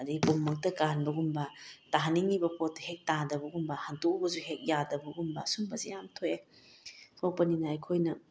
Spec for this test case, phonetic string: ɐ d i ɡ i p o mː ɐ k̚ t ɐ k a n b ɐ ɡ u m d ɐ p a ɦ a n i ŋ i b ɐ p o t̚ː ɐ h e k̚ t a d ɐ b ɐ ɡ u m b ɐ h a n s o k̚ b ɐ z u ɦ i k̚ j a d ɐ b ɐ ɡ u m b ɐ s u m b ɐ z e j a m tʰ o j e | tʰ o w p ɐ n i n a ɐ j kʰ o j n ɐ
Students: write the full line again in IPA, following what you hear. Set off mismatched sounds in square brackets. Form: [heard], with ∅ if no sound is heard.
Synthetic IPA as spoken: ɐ d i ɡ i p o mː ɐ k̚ t ɐ k a n b ɐ ɡ u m [b] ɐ [t] a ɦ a n i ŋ i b ɐ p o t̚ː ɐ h e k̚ t a d ɐ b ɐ ɡ u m b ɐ h a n [t] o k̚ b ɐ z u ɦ [e] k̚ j a d ɐ b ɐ ɡ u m b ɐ s u m b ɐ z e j a m tʰ o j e | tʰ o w p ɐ n i n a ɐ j kʰ o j n ɐ

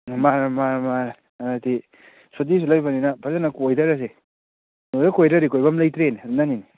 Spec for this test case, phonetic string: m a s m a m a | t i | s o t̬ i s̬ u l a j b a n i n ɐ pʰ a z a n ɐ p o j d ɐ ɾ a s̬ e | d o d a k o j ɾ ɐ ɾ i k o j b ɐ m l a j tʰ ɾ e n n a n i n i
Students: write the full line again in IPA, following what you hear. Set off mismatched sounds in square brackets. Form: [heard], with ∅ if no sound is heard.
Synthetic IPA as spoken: m a [∅] m a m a | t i | s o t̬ i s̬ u l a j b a n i n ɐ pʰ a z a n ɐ [k] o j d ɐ ɾ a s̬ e | [n] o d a k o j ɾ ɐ ɾ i k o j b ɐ m l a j [t] ɾ e n n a n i n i

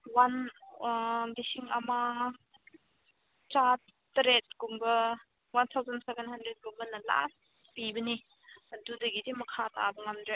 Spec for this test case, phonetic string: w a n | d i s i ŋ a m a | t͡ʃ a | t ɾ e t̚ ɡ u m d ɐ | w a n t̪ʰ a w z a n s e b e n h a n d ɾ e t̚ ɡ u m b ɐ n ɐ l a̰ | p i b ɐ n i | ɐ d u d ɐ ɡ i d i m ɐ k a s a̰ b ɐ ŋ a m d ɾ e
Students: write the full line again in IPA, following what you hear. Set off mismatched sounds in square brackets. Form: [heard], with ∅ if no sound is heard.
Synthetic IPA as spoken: w a n | d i s i ŋ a m a | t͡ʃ a | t ɾ e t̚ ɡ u m [b] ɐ | w a n t̪ʰ a w z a n s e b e n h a n d ɾ e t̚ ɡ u m b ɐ n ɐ l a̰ | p i b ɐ n i | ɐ d u d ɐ ɡ i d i m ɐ [kʰ] a [t] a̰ b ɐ ŋ a m d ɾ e

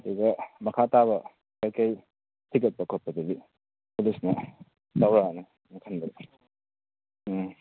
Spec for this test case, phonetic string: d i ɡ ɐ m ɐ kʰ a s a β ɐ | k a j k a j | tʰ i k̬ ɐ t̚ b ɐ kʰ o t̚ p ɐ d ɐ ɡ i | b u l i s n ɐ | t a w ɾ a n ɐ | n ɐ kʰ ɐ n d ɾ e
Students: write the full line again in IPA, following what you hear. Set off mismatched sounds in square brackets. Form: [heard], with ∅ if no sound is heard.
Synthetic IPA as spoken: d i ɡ ɐ m ɐ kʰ a [t] a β ɐ | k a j k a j | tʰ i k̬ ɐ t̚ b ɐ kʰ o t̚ p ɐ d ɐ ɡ i | [p] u l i s n ɐ | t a w ɾ a n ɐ | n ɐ kʰ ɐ n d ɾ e

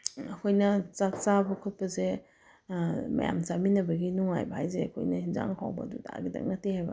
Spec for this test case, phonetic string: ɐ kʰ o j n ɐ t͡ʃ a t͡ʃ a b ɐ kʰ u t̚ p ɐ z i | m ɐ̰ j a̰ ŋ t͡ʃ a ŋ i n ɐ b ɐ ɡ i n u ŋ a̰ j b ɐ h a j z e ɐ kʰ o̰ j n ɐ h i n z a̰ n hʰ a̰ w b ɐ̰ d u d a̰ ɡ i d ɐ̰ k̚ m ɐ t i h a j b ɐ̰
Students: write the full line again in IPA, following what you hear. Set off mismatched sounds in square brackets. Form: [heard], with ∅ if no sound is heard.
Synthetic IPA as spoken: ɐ kʰ o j n ɐ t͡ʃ a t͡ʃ a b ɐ kʰ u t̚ p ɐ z [e] | m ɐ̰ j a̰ [m] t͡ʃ a [m] i n ɐ b ɐ ɡ i n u ŋ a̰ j b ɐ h a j z e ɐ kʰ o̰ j n ɐ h i n z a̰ [ŋ] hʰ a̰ w b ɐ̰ d u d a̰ ɡ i d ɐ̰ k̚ [n] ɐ t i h a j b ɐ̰

